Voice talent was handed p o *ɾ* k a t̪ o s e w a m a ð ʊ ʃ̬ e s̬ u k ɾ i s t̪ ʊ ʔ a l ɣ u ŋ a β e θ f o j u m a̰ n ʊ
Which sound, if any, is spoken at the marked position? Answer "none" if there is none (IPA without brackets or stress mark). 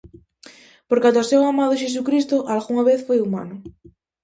ɾ